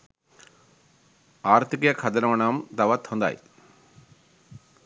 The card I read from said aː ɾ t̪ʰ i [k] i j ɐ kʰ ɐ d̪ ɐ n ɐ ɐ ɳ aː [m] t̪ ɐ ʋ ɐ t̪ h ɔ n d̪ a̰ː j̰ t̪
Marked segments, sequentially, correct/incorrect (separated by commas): correct, correct